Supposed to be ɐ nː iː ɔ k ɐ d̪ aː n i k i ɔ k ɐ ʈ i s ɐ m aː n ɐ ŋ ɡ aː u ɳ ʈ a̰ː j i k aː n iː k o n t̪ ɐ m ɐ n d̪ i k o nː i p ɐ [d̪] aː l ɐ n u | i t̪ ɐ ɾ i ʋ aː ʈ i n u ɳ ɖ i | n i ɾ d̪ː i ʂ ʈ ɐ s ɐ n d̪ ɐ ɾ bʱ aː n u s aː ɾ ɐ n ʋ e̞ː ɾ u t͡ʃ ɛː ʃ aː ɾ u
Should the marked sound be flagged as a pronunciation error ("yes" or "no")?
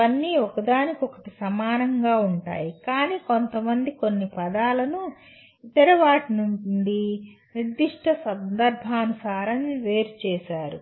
no